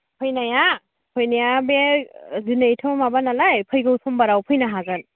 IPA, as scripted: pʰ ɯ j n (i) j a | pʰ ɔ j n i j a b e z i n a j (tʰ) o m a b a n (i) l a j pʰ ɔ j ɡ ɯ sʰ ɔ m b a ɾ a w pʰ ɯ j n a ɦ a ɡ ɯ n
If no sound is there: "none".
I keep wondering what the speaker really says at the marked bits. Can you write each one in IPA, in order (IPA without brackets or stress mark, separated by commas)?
a, tʰ, a